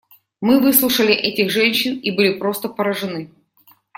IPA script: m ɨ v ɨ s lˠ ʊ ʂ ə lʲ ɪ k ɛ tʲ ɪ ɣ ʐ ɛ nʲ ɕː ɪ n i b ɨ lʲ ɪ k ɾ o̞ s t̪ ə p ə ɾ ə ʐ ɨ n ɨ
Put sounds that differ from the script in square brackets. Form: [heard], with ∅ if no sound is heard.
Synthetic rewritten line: m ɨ v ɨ s lˠ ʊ ʂ ə lʲ ɪ [ʔ] ɛ tʲ ɪ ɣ ʐ ɛ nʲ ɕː ɪ n i b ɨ lʲ ɪ [p] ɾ o̞ s t̪ ə p ə ɾ ə ʐ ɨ n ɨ